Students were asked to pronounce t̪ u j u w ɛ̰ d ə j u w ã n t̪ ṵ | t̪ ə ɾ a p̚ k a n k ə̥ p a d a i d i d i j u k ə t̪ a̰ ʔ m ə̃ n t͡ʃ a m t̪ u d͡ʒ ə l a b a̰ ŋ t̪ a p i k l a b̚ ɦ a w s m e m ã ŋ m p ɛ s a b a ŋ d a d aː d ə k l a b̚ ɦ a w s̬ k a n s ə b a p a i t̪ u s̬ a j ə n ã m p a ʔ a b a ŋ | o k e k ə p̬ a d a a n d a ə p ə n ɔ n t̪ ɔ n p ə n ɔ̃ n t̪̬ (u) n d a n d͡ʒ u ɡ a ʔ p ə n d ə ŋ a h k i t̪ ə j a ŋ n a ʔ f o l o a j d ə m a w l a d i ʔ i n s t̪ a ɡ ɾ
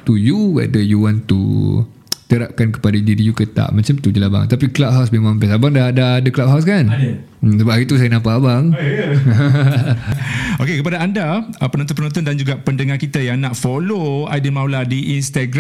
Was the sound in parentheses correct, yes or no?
no